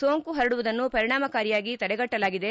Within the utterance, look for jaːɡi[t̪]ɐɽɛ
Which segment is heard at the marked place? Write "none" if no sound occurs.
t̪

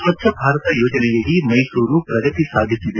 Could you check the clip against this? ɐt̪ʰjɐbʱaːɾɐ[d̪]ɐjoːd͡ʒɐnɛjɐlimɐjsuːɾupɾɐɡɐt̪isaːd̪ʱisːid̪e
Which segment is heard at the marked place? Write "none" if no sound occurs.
t̪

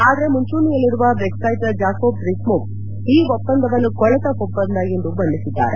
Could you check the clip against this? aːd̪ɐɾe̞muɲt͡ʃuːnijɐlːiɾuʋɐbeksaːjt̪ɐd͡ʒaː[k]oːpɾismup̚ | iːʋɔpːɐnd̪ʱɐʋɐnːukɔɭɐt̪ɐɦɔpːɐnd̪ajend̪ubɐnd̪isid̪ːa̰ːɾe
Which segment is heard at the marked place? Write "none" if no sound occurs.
k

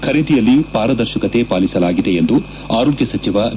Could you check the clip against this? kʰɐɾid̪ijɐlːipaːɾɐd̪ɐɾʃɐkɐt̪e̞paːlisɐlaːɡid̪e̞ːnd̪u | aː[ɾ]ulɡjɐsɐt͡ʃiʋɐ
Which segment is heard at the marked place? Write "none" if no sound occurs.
ɾ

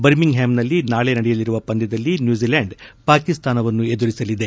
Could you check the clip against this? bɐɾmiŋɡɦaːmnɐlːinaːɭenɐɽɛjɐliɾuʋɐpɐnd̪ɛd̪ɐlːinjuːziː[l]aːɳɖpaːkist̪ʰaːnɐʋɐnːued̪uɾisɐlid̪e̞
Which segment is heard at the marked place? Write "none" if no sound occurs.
l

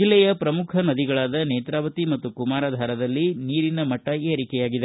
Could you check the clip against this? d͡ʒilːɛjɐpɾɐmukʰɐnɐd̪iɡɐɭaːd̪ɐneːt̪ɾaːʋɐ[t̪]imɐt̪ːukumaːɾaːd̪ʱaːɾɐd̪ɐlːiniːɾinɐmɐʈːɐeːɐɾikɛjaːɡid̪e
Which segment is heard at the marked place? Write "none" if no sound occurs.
t̪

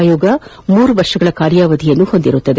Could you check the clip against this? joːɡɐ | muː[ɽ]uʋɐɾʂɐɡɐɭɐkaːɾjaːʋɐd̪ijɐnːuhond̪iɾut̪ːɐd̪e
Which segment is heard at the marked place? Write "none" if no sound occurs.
ɾ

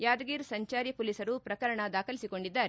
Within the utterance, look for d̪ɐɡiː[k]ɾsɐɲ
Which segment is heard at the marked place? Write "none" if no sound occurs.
none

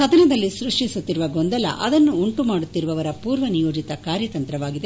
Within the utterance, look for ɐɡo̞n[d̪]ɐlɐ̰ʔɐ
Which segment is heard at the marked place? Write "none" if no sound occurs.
d̪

